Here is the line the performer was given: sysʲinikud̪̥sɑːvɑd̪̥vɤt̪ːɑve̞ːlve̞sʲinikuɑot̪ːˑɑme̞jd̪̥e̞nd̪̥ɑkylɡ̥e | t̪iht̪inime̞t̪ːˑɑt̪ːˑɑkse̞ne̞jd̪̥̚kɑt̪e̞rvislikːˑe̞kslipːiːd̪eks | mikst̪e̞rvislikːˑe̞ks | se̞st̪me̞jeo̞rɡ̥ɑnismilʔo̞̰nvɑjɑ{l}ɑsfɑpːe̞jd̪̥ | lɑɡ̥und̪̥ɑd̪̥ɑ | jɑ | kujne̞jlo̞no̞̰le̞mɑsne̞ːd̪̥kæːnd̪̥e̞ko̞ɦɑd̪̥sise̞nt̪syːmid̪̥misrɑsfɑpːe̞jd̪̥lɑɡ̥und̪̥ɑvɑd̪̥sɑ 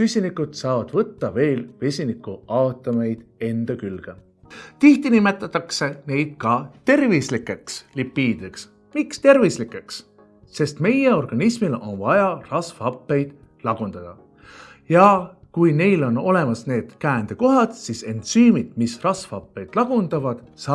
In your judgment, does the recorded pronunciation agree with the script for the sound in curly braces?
no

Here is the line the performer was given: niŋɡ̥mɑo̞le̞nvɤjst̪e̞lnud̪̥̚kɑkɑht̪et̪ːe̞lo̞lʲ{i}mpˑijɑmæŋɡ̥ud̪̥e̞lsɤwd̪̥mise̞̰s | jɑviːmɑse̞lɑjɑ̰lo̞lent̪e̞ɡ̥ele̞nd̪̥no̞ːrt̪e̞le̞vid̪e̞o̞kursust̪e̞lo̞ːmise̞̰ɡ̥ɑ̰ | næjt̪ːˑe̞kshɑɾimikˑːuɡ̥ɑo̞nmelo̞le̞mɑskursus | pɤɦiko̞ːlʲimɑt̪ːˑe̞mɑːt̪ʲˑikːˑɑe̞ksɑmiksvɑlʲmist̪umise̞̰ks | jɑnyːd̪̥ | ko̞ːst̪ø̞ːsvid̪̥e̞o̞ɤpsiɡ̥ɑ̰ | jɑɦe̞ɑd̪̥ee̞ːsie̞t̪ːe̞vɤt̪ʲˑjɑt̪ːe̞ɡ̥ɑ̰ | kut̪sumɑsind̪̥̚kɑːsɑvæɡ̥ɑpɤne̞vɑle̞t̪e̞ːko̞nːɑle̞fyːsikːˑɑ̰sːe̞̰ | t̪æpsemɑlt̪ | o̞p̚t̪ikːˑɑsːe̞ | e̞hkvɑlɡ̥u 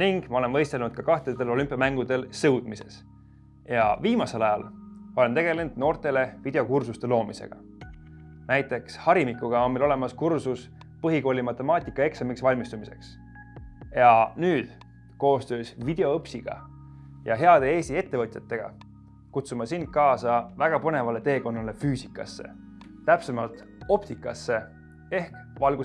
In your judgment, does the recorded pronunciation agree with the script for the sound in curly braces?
no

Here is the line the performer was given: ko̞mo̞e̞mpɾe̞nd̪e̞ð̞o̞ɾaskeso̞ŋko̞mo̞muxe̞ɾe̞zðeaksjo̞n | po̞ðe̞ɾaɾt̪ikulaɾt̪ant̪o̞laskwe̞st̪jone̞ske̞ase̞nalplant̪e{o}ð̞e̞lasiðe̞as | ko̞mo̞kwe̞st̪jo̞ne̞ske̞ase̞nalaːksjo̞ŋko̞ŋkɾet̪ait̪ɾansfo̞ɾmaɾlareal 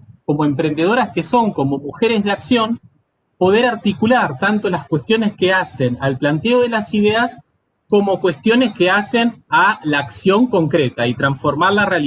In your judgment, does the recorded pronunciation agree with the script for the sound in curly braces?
yes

